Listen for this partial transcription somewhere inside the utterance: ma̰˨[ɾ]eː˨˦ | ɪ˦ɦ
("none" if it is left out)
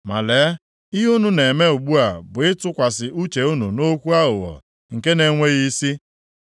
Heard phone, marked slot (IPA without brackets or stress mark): l